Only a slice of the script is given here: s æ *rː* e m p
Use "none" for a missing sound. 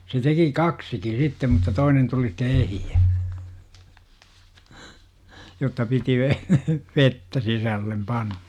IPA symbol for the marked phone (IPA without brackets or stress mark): lː